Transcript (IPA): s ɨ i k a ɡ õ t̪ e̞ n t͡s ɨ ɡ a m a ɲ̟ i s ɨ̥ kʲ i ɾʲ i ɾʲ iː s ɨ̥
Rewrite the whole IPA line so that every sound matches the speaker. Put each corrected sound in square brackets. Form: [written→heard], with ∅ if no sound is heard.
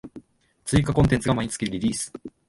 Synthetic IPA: [s→t͡s] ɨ i k a [ɡ→k] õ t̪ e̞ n t͡s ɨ ɡ a m a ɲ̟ i [s→t͡s] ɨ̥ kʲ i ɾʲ i ɾʲ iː s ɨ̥